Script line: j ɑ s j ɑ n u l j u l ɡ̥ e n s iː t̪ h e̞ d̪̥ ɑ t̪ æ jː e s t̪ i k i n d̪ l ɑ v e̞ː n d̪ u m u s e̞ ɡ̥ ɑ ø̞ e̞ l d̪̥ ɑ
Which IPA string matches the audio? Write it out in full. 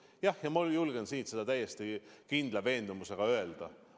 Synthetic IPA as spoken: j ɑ h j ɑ m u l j u l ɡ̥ e n s iː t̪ s e̞ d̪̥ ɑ t̪ æ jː e s t̪ i k i n d̪ l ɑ v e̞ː n d̪ u m u s e̞ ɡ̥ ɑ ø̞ e̞ l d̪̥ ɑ